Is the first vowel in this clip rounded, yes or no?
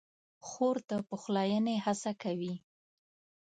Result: yes